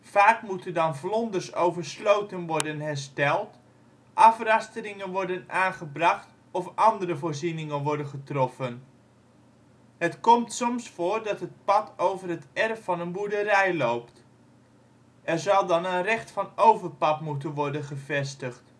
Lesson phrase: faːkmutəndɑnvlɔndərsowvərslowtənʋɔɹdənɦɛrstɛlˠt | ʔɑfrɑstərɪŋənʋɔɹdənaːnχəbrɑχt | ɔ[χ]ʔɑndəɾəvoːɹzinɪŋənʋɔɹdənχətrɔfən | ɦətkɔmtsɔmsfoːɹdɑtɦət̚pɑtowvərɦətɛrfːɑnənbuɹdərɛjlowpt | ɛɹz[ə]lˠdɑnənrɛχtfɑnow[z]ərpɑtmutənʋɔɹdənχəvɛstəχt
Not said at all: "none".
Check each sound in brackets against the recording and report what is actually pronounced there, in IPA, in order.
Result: f, ɑ, v

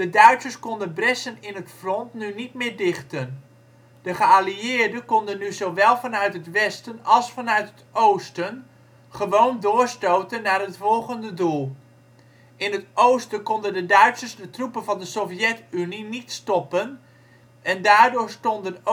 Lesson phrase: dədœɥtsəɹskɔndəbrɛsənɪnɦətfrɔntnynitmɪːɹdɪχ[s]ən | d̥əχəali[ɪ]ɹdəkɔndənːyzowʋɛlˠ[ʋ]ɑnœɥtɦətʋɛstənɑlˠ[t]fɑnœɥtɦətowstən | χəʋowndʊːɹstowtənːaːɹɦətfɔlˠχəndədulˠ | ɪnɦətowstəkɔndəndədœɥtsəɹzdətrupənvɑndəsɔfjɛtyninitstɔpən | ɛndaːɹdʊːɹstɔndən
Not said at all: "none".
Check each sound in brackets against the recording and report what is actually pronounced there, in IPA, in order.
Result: t, ɪː, v, s

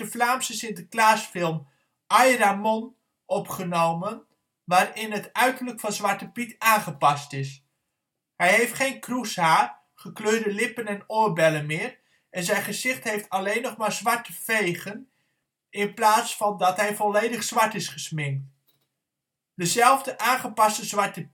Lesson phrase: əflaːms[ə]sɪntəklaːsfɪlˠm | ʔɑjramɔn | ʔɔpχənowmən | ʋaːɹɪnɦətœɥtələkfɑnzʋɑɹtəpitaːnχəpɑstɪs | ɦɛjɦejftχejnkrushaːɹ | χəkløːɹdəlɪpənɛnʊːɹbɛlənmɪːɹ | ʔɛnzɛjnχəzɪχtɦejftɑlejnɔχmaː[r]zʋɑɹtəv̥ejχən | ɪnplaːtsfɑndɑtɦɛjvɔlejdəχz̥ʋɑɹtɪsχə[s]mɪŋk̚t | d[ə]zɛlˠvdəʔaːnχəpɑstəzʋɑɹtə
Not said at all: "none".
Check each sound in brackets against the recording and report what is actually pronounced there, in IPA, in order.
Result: ə, ɹ, s, ə

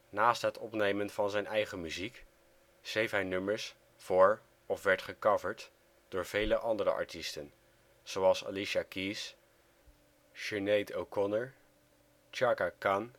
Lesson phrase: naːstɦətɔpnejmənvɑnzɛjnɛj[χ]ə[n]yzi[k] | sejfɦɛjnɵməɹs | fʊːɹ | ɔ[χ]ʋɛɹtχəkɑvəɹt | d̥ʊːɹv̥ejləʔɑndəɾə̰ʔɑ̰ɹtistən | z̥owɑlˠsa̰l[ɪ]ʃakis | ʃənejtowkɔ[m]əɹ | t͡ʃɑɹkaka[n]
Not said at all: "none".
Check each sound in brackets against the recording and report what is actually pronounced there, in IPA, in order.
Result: χ, m, k, f, i, n, n

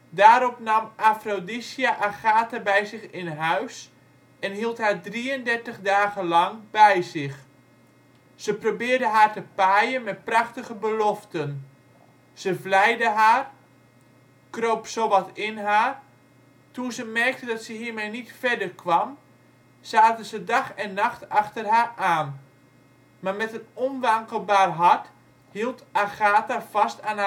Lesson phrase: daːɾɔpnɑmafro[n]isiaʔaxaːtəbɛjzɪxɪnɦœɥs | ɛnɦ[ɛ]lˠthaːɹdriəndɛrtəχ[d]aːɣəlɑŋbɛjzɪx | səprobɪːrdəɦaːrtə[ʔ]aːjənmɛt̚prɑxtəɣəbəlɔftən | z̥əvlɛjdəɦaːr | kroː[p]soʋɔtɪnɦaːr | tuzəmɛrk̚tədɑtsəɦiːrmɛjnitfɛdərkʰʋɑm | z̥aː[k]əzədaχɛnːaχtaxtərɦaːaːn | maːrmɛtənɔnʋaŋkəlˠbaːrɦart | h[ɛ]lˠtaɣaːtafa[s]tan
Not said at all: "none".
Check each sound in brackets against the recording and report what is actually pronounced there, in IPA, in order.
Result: d, i, d, p, p, t, i, s

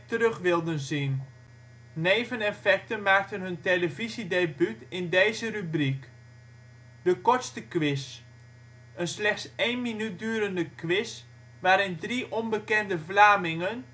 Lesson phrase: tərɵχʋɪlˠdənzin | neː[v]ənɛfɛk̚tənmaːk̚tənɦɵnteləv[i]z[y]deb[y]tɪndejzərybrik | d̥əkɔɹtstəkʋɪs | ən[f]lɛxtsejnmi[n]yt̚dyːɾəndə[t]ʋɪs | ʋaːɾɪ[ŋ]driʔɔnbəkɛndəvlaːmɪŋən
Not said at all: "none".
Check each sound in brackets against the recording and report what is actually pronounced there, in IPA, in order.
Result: v, i, i, y, s, n, k, n

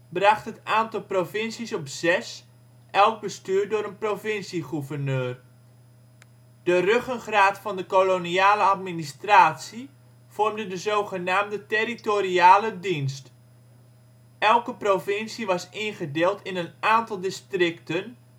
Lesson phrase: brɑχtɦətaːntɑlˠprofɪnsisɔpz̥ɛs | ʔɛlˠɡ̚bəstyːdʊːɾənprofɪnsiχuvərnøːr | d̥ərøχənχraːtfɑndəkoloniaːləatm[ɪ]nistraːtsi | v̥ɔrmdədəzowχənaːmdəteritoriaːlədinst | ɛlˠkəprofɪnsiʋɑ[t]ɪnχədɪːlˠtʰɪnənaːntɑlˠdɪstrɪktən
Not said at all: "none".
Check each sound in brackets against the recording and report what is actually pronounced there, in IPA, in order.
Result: i, s

